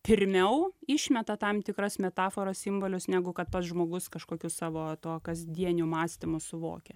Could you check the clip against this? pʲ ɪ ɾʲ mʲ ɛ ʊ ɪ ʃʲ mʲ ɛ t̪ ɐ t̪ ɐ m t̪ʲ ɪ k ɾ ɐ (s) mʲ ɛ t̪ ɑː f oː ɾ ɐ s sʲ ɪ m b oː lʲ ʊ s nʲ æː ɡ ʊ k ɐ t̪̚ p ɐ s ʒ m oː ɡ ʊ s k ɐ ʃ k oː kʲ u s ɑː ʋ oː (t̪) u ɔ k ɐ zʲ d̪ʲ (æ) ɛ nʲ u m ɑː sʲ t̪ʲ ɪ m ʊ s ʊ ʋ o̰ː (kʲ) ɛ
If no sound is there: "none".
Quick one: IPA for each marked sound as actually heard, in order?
s, t̪, i, kʲ

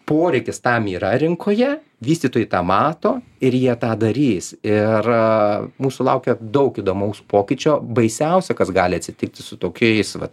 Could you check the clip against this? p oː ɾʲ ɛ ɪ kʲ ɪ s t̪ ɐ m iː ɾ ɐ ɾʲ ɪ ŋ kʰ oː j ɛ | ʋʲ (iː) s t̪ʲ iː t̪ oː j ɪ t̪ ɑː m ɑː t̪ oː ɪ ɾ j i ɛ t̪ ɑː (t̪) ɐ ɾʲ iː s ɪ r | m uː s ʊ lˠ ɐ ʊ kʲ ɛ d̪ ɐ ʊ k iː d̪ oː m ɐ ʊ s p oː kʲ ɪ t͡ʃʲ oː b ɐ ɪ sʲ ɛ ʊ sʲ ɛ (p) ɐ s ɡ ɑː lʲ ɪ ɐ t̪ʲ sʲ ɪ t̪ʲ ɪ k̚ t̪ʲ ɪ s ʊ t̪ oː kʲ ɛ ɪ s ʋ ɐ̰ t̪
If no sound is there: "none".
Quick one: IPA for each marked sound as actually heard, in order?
iː, d̪, k

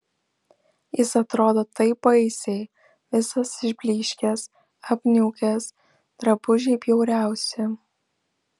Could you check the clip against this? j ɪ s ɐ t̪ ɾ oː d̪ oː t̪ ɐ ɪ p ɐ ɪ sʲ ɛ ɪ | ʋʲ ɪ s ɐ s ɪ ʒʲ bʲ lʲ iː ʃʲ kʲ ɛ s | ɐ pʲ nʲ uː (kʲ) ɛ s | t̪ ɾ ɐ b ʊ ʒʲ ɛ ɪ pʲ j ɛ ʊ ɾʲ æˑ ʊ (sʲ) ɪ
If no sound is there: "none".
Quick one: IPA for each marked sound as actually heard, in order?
kʲ, sʲ

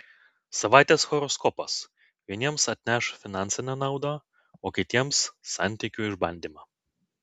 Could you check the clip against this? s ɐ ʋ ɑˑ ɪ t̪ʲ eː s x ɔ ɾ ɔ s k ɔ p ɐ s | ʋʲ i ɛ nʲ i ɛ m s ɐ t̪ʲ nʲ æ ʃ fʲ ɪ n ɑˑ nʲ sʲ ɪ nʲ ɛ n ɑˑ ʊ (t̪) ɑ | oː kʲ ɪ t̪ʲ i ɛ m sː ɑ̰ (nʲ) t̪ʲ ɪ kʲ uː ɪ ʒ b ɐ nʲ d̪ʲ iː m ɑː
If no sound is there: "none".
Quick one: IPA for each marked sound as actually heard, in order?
d̪, nʲ

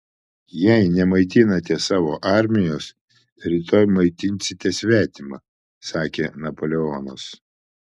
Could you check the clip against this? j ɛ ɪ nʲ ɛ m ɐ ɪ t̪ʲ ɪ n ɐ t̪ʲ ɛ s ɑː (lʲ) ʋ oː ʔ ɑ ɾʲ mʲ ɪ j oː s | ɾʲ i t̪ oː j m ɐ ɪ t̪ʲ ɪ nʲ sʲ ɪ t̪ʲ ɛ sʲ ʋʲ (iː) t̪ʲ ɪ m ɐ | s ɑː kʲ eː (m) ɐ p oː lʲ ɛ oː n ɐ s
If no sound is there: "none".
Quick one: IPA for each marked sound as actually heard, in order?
none, æː, n

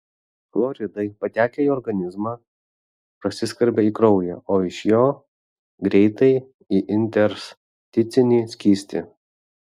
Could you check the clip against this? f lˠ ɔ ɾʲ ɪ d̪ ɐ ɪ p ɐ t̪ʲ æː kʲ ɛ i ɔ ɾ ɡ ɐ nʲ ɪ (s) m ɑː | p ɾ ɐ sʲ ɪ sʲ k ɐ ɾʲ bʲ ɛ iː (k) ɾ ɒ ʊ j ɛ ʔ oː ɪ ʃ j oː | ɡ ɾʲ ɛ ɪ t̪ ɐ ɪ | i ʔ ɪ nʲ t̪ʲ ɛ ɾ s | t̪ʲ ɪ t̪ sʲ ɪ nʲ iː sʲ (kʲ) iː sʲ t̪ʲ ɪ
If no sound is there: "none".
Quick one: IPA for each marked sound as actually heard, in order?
z, k, kʲ

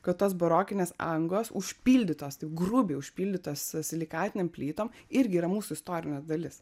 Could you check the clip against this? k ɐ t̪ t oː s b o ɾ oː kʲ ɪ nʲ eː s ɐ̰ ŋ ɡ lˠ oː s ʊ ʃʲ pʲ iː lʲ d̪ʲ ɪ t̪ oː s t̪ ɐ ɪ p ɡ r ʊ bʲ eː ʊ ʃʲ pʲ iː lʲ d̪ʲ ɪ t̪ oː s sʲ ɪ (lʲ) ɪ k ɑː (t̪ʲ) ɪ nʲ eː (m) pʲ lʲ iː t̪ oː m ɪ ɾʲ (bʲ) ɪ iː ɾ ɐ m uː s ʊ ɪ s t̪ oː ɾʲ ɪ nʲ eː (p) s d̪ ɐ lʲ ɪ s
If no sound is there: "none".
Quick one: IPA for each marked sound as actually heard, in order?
lʲ, t̪ʲ, m, ɡʲ, none

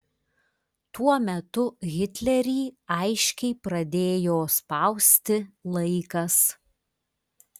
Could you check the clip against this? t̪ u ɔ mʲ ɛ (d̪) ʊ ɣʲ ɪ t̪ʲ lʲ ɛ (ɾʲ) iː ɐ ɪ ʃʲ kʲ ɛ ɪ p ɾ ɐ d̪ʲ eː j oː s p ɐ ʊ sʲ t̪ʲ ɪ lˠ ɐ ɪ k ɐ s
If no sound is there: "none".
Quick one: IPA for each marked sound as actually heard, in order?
t̪, ɾʲ

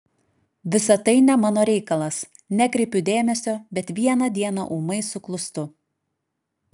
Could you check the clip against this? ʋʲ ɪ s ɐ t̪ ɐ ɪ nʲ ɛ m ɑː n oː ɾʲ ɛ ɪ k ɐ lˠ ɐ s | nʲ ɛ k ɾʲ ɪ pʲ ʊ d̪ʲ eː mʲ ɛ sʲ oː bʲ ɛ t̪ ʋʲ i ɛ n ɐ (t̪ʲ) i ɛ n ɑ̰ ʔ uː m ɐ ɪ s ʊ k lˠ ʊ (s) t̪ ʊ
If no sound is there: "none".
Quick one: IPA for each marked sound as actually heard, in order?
d̪ʲ, s

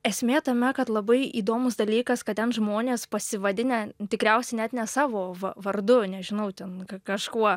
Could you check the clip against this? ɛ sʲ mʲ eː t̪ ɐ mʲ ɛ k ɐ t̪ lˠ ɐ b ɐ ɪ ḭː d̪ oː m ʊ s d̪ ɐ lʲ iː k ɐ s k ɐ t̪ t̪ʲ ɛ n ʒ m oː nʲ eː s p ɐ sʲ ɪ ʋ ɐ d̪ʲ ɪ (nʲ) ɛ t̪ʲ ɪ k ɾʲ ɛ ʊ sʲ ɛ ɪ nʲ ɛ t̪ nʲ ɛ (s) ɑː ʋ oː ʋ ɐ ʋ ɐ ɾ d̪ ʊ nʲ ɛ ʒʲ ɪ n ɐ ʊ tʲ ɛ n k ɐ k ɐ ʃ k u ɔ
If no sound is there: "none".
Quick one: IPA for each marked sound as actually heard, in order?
nʲ, s

